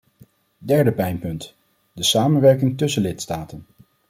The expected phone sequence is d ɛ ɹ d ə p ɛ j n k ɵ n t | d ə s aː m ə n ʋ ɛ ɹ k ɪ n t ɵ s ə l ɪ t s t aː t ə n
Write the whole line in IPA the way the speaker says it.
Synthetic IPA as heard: d ɛ ɹ d ə p ɛ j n p ɵ n t | d ə s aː m ə n ʋ ɛ ɹ k ɪ ŋ t ɵ s ə l ɪ t s t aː t ə n